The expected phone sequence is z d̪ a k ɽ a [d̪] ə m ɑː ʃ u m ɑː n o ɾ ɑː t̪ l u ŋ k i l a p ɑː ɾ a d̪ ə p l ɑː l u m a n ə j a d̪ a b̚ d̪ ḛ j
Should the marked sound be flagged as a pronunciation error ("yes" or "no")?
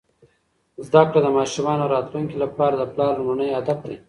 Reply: no